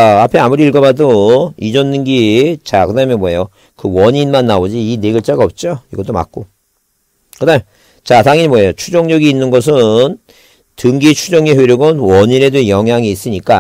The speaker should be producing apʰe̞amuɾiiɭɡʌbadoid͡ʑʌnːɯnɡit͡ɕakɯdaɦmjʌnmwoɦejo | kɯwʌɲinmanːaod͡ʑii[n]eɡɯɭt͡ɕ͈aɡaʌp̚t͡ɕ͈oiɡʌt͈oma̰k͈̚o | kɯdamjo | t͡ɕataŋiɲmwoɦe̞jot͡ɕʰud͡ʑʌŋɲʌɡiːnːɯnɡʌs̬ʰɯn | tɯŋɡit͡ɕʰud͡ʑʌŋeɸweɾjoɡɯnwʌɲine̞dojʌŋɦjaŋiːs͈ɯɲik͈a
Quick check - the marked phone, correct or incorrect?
correct